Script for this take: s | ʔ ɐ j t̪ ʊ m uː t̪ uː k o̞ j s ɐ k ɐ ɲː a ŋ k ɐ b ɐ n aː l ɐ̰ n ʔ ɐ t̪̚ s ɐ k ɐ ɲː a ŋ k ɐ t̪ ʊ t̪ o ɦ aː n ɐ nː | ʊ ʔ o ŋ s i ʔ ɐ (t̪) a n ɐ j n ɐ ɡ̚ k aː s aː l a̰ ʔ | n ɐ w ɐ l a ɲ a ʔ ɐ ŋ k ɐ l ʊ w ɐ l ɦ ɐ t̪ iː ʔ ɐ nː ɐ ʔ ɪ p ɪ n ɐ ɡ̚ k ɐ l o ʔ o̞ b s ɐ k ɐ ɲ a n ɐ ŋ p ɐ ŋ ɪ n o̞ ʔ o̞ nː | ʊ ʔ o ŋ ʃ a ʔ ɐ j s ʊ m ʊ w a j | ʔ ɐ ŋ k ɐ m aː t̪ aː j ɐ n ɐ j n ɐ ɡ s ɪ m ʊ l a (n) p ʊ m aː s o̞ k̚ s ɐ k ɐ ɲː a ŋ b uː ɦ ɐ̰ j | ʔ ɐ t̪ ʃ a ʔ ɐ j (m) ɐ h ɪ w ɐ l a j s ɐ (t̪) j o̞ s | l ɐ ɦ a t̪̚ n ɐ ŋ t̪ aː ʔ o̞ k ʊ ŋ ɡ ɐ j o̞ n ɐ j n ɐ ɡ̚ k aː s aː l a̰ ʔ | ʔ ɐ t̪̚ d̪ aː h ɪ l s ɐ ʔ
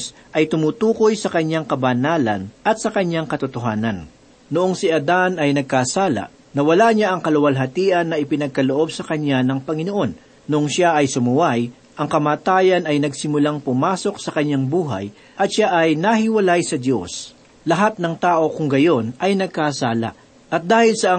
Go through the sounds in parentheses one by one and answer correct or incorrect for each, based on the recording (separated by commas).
incorrect, incorrect, incorrect, incorrect